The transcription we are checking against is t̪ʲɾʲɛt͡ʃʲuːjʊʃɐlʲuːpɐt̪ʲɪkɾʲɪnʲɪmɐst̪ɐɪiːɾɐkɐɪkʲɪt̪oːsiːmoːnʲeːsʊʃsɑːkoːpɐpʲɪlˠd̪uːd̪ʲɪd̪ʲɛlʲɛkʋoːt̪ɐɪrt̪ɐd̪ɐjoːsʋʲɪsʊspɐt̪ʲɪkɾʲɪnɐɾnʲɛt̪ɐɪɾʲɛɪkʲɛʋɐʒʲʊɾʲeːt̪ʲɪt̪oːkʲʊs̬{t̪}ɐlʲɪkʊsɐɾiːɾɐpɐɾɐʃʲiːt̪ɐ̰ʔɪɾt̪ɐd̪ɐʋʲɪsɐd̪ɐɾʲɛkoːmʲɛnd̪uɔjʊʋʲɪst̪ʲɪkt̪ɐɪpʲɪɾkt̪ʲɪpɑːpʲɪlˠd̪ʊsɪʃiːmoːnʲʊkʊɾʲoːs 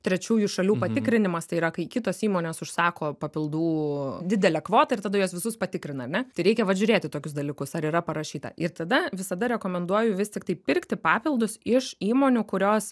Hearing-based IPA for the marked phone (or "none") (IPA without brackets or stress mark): d̪